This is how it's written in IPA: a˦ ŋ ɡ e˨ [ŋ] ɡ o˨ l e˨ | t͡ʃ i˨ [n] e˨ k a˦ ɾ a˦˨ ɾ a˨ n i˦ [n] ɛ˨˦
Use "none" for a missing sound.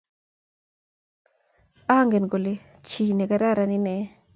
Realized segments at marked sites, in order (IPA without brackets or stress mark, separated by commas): n, n, n